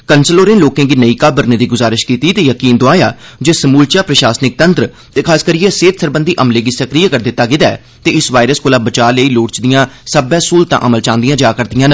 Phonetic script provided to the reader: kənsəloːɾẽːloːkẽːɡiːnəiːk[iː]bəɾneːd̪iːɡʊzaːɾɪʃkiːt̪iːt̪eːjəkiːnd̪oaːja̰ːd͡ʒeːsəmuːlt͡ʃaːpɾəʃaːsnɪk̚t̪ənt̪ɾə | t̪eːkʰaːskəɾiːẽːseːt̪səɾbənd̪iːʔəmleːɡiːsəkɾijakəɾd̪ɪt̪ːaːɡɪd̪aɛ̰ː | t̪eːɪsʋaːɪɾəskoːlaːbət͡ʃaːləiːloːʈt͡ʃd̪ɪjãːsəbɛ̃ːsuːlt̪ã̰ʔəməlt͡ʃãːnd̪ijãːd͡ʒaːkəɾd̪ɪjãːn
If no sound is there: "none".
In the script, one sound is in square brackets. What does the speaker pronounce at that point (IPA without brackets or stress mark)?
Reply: aː